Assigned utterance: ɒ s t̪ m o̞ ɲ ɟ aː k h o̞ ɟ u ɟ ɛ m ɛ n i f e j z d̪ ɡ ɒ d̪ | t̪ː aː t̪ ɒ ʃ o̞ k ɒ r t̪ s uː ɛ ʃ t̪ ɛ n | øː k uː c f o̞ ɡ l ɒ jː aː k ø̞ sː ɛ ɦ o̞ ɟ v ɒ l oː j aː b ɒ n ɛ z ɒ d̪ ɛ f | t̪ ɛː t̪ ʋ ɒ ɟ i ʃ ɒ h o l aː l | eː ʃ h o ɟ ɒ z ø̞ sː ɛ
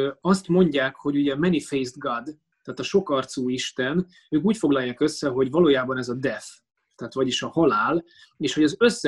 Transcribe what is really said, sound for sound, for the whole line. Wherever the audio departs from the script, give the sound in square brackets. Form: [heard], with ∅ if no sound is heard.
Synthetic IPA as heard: ɒ s t̪ m o̞ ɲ ɟ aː k h o̞ ɟ u ɟ ɛ m ɛ n i f e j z d̪ ɡ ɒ d̪ | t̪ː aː t̪ ɒ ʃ o̞ k ɒ r t̪ s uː [i] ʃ t̪ ɛ n | øː k uː c f o̞ ɡ l ɒ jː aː k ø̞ sː ɛ ɦ o̞ ɟ v ɒ l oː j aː b ɒ n ɛ z ɒ d̪ ɛ f | t̪ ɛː t̪ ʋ ɒ ɟ i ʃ ɒ h [ɒ] l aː l | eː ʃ h o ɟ ɒ z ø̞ sː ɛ